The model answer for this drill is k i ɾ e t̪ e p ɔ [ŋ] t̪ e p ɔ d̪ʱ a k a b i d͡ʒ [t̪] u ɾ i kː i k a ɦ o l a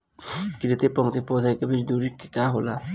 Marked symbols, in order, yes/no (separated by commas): yes, no